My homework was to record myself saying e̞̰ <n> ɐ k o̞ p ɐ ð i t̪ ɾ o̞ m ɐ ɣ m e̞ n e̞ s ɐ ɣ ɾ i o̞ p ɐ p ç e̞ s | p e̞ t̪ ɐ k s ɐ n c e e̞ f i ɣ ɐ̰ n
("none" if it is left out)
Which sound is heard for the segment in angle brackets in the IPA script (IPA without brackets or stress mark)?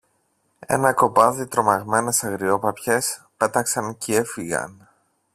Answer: n